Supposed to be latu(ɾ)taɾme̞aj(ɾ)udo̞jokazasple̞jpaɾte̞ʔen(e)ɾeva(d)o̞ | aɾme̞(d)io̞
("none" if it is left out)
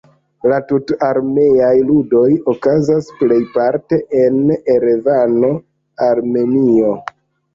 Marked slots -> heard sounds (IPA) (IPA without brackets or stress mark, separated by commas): none, l, e, n, n